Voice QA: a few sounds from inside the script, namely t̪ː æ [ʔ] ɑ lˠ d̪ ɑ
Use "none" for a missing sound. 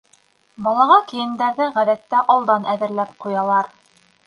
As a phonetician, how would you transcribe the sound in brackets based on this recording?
ʔ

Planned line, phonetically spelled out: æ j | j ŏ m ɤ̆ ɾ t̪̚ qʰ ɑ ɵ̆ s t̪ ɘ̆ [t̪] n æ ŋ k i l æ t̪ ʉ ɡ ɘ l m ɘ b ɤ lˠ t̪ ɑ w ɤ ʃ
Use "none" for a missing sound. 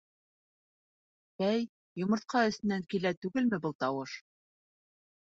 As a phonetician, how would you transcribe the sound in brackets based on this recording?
none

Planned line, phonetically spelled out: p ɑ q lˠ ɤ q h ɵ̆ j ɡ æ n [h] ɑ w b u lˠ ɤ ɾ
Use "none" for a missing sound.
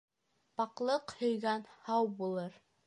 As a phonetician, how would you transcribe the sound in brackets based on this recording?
h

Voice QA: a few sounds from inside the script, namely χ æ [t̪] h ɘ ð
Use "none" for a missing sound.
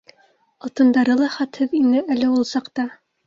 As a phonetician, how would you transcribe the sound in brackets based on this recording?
t̪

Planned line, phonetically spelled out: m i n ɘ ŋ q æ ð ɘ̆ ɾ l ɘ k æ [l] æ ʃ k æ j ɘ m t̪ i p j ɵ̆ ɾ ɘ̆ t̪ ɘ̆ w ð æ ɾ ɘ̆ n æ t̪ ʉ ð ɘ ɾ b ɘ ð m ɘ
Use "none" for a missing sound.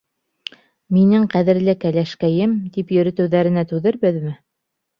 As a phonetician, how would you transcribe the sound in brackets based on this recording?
l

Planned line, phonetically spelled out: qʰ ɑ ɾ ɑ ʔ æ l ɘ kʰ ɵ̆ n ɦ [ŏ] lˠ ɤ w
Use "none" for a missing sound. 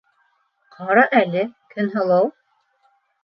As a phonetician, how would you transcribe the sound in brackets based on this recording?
ɤ̆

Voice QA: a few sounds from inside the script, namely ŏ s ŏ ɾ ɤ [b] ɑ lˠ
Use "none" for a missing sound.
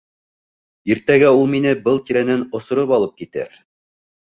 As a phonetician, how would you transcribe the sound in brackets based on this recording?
p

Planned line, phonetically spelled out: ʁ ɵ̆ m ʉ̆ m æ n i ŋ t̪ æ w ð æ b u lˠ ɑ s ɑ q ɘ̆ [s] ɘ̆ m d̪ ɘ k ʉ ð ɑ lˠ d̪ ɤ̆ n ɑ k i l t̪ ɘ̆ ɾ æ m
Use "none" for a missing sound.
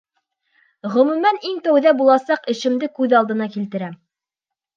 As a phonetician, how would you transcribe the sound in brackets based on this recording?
ʃ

